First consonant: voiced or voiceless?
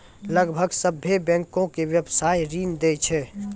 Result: voiced